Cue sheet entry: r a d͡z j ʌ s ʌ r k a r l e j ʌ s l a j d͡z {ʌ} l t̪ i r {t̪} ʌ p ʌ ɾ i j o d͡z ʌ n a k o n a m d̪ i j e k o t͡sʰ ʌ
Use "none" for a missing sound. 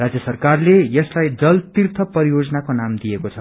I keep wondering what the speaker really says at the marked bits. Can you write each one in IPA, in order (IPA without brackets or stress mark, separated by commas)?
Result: ʌ, t̪ʰ